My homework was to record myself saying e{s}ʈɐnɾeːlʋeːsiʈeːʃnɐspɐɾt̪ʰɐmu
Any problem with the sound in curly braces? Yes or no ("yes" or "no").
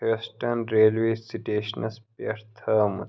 no